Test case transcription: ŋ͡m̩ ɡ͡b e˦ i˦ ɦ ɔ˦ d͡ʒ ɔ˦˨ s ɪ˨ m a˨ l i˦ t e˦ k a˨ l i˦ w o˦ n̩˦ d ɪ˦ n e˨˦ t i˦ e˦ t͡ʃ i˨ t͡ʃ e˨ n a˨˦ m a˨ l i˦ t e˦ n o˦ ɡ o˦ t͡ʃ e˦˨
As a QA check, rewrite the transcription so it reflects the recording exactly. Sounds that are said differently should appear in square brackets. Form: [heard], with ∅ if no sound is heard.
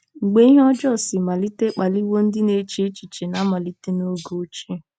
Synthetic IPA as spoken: ŋ͡m̩ ɡ͡b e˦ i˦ ɦ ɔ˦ d͡ʒ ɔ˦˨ s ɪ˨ m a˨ l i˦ t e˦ [k͡p] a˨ l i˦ w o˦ n̩˦ d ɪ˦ n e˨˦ [t͡ʃ] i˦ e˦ t͡ʃ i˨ t͡ʃ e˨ n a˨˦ m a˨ l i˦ t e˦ n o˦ ɡ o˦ t͡ʃ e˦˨